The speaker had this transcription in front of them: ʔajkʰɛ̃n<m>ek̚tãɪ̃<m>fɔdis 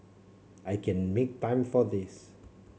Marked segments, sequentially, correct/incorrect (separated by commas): correct, correct